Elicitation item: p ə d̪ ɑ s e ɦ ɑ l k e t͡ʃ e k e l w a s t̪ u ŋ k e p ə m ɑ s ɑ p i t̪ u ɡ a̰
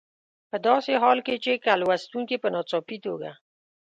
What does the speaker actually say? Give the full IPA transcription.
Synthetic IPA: p ə d̪ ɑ s e ɦ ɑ l k e t͡ʃ e k a l w a s t̪ u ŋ k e p ə n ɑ t͡s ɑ p i t̪ o ɡ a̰